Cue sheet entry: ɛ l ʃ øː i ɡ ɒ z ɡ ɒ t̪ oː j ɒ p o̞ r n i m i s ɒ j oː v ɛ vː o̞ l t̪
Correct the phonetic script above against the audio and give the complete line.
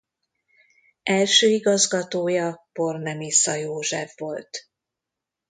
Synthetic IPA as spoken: ɛ l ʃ øː i ɡ ɒ z ɡ ɒ t̪ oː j ɒ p o̞ r n ɛ m i s ɒ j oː ʒ ɛ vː o̞ l t̪